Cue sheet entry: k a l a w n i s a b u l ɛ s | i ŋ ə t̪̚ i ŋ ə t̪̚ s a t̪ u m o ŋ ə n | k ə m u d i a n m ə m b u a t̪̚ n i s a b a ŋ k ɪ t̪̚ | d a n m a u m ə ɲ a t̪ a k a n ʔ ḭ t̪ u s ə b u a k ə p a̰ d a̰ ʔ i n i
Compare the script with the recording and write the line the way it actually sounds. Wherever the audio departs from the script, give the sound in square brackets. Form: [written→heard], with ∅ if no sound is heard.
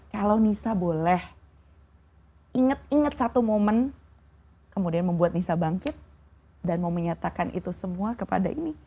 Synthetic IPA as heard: k a l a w n i s a b [u→o] l ɛ [s→h] | i ŋ ə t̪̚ i ŋ ə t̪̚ s a t̪ u m o [ŋ→m] ə n | k ə m u d i a n m ə m b u a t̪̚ n i s a b a ŋ k ɪ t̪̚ | d a n m a u m ə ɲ a t̪ a k a n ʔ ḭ t̪ u s ə [b→m] u a k ə p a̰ d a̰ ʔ i n i